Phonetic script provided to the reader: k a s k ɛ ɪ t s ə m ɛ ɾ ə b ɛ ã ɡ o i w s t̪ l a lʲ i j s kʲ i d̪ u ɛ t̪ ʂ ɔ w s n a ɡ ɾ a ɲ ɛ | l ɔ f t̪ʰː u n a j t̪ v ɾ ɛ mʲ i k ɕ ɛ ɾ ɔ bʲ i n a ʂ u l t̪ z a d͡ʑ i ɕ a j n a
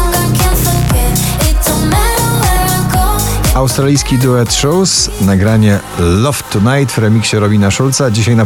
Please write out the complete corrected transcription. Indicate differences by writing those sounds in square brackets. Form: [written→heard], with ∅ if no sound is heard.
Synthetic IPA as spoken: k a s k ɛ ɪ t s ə m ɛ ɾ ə [b→w] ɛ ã ɡ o [i→a] w s t̪ [l→ɾ] a lʲ i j s kʲ i d̪ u ɛ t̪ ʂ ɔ w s n a ɡ ɾ a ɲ ɛ | l ɔ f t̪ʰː u n a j t̪ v ɾ ɛ mʲ i k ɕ ɛ ɾ ɔ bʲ i n a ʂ u l t̪ [z→s] a d͡ʑ i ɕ a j n a